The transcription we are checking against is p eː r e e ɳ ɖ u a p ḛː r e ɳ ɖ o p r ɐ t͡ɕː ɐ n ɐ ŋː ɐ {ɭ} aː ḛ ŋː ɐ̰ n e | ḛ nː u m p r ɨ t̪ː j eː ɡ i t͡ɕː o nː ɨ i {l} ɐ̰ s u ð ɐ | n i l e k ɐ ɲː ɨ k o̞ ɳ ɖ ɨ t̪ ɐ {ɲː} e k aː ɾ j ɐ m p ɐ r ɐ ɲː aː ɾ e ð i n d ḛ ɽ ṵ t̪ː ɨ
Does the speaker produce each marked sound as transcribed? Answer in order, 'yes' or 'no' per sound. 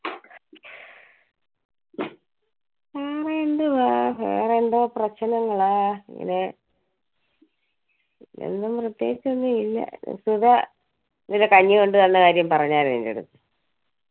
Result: yes, no, no

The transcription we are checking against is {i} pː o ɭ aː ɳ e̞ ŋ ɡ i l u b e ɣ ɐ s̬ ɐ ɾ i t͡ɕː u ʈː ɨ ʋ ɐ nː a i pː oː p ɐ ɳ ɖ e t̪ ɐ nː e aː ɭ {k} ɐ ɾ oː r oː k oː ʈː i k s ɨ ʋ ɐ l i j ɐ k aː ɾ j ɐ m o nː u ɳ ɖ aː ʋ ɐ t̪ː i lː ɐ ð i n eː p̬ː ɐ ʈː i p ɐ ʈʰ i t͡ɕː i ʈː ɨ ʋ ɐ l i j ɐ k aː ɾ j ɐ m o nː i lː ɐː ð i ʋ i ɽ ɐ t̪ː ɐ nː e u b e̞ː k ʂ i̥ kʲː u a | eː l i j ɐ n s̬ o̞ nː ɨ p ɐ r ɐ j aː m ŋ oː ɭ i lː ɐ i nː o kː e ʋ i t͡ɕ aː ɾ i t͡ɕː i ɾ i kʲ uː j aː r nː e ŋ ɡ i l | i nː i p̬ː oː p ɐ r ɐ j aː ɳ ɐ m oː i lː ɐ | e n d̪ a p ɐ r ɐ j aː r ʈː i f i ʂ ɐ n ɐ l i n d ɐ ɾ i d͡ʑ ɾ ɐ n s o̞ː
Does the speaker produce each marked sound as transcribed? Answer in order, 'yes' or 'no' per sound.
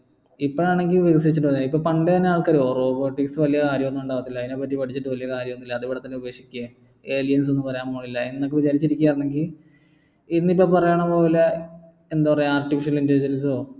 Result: yes, yes

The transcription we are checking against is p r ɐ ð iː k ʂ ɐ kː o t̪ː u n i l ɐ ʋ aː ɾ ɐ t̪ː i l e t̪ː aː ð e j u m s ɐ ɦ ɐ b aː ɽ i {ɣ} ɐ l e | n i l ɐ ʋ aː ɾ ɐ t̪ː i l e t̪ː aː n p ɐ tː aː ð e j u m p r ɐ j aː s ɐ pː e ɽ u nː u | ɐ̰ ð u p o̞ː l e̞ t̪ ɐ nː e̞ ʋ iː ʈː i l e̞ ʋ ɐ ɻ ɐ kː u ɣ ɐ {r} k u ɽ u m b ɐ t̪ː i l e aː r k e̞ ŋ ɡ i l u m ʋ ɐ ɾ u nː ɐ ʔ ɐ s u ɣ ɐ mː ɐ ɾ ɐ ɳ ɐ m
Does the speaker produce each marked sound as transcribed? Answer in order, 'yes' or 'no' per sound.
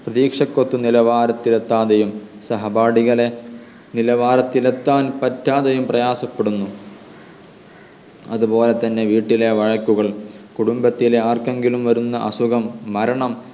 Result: yes, no

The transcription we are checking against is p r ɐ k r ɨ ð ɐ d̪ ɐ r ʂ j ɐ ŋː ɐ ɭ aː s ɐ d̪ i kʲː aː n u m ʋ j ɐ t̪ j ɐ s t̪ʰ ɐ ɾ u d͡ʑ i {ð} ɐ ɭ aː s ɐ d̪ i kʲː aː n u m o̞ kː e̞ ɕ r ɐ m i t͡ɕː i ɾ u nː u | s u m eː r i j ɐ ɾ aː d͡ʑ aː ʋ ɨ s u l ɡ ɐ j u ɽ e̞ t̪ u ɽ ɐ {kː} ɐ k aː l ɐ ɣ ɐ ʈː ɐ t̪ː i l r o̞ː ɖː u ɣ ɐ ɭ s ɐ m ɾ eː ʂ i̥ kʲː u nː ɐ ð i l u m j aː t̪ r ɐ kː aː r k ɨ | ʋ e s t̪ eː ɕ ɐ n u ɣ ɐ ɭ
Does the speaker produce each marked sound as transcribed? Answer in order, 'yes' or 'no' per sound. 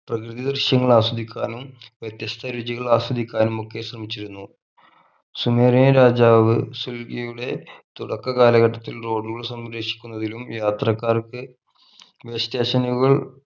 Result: no, yes

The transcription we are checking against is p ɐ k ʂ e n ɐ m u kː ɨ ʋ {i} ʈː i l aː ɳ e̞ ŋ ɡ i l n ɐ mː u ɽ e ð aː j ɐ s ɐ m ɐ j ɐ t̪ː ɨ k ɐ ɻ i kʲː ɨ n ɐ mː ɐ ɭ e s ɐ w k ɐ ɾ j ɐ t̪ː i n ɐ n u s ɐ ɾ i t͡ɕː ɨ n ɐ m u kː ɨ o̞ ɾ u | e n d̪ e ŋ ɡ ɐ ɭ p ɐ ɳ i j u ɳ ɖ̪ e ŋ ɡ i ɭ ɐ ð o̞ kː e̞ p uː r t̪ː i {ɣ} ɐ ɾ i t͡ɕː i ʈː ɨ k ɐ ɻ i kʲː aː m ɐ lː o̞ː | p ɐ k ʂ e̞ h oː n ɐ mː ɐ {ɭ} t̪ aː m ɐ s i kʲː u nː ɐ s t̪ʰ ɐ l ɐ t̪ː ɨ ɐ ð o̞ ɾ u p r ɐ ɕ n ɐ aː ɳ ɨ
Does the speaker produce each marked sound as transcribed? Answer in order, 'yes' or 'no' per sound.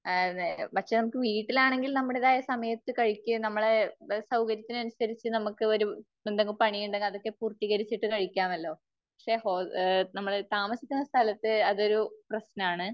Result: no, yes, yes

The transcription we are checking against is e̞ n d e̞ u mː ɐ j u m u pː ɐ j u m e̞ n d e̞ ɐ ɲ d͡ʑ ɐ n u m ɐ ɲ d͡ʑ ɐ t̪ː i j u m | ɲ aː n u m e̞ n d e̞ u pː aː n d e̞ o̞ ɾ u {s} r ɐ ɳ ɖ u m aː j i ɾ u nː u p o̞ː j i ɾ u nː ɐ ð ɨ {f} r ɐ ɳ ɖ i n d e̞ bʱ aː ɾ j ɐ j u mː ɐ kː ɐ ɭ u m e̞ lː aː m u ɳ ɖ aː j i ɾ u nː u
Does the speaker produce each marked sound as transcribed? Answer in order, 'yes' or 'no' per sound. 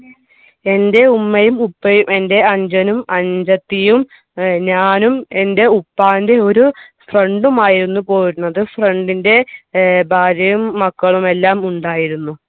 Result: no, yes

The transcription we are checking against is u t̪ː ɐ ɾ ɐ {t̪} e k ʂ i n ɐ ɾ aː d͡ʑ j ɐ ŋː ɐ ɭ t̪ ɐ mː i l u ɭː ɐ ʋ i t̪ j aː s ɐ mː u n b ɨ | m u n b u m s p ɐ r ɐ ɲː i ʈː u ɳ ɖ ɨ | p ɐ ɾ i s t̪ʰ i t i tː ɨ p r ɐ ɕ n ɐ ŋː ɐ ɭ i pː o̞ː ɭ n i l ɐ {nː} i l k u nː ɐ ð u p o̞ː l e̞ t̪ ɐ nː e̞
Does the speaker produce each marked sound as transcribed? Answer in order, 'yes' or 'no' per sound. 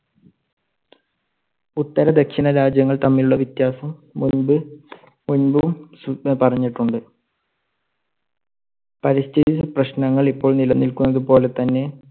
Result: no, yes

